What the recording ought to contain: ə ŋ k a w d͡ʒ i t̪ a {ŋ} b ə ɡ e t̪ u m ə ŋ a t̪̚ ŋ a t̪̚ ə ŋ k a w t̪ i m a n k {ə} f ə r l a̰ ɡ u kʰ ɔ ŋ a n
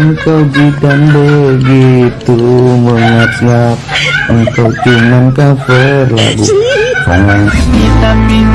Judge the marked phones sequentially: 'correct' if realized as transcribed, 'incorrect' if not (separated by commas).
incorrect, incorrect